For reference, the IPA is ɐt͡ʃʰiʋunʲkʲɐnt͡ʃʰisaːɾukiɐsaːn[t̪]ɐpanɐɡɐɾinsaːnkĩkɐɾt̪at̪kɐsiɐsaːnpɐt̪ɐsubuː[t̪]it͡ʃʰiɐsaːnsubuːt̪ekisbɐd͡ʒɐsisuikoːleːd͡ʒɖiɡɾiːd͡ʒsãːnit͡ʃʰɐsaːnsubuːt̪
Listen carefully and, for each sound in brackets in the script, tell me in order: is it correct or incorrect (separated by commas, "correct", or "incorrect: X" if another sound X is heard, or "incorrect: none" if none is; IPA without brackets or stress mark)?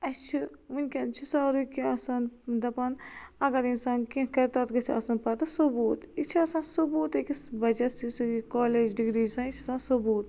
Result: incorrect: d̪, correct